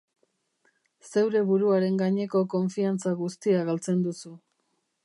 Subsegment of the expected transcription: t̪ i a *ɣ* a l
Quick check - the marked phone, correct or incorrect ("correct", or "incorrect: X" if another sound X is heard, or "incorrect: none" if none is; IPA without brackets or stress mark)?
correct